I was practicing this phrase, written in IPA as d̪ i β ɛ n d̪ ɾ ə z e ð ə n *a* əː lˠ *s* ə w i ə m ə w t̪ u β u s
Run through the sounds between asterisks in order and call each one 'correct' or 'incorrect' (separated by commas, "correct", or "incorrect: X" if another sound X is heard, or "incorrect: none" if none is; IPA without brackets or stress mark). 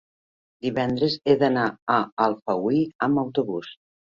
correct, incorrect: f